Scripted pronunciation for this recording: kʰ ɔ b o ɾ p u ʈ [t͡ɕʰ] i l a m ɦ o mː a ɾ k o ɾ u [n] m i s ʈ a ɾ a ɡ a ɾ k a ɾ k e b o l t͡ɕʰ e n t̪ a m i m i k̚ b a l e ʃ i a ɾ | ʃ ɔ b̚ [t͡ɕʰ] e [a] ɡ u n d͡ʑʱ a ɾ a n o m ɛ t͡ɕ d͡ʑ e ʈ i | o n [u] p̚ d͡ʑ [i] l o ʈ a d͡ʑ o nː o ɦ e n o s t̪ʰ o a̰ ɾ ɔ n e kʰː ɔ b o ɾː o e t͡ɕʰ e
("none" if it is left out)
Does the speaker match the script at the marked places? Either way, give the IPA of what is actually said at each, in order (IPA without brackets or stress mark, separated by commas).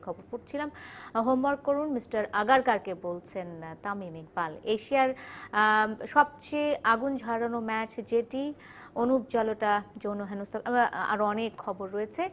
t͡ɕʰ, n, t͡ɕ, a, u, a